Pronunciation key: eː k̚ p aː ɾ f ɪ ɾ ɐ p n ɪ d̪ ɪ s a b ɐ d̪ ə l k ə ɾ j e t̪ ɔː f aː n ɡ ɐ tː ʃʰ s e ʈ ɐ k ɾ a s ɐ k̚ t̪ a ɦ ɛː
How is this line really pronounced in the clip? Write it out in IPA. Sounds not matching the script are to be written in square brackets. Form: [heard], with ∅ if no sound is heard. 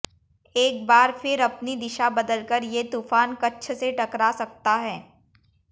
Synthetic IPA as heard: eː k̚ [b] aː ɾ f ɪ ɾ ɐ p n [i] d̪ ɪ [ʃ] a b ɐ d̪ ə l k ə ɾ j e t̪ [uː] f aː n [k] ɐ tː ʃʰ s e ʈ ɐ k ɾ a s ɐ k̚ t̪ a ɦ ɛː